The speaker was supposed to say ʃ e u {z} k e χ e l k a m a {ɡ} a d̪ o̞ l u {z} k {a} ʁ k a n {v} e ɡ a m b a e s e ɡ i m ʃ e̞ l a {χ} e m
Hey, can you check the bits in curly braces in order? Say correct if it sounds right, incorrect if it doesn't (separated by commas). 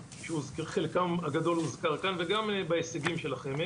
correct, correct, correct, correct, correct, correct